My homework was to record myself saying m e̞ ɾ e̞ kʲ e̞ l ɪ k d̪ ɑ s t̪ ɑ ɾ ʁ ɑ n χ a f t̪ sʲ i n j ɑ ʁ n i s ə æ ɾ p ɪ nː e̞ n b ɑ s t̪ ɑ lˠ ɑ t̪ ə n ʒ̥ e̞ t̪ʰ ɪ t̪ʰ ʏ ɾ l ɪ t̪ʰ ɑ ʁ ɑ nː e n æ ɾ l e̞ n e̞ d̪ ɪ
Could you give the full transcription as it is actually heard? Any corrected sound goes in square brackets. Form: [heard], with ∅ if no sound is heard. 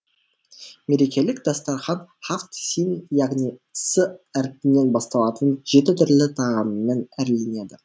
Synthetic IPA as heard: m e̞ ɾ e̞ kʲ e̞ l ɪ k d̪ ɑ s t̪ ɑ ɾ [χ] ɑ n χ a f t̪ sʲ i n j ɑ ʁ n i s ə æ ɾ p ɪ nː e̞ n b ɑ s t̪ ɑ lˠ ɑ t̪ ə n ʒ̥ e̞ [t̪] ɪ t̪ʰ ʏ ɾ l ɪ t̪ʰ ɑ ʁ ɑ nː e n æ ɾ l e̞ n e̞ d̪ ɪ